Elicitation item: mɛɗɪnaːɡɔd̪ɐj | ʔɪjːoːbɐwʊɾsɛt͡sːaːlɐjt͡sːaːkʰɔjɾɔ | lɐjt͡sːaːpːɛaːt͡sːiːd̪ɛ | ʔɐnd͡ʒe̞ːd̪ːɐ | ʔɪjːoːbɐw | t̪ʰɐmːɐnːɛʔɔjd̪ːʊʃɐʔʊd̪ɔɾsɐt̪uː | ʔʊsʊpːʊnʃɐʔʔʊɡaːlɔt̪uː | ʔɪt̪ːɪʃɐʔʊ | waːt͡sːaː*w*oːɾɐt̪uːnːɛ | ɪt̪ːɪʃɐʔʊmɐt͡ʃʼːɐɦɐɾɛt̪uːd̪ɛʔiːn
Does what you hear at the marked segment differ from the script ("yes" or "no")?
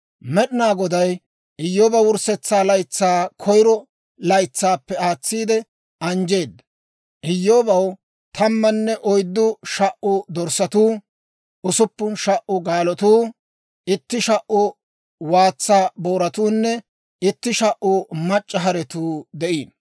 yes